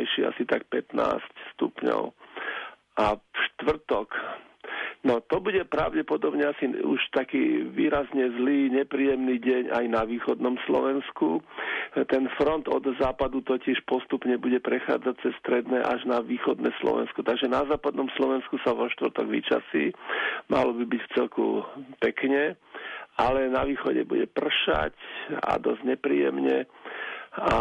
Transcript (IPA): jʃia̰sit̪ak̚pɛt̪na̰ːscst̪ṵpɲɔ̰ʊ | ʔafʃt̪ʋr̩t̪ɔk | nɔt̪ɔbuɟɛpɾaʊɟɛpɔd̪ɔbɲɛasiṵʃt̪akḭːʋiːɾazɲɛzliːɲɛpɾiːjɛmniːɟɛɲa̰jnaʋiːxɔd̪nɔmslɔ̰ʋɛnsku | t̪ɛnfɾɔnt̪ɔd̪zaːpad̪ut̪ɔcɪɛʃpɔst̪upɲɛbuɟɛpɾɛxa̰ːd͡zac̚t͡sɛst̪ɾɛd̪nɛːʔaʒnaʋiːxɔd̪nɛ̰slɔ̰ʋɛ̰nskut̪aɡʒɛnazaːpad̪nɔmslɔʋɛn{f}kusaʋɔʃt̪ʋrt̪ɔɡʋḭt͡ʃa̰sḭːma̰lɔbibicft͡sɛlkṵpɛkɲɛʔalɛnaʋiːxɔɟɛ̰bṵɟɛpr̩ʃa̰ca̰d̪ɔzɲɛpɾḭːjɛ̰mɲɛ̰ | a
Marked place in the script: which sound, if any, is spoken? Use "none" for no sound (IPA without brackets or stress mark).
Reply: s